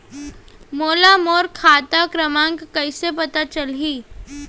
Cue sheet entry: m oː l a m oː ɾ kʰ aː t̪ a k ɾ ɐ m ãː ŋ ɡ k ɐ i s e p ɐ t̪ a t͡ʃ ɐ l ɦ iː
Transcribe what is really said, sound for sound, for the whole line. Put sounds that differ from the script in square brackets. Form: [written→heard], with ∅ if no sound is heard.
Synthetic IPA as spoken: m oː l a m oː ɾ kʰ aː t̪ a k ɾ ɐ m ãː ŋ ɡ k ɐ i s e p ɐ t̪ a t͡ʃ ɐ l ɦ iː